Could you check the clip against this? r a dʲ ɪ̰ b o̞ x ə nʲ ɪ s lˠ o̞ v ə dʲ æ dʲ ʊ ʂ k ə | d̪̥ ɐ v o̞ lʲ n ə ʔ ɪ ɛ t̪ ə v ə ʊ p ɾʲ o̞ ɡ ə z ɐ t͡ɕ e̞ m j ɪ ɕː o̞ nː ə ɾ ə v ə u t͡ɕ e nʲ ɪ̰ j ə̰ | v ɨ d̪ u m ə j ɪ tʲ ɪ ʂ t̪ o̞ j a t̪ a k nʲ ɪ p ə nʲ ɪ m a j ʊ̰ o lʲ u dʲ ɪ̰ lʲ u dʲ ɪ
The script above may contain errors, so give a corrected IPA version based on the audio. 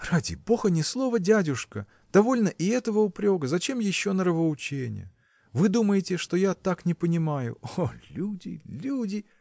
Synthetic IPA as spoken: r a dʲ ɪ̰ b o̞ x ə nʲ ɪ s lˠ o̞ v ə dʲ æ dʲ ʊ ʂ k ə | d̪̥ ɐ v o̞ lʲ n ə ʔ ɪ ɛ t̪ ə v ə ʊ p ɾʲ o̞ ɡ ə z ɐ t͡ɕ e̞ m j ɪ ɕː o̞ n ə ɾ ə v ə ʊ t͡ɕ e nʲ ɪ̰ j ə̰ | v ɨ d̪ u m ə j ɪ tʲ ɪ ʂ t̪ o̞ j a t̪ a k nʲ ɪ p ə nʲ ɪ m a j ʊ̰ o lʲ u dʲ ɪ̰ lʲ u dʲ ɪ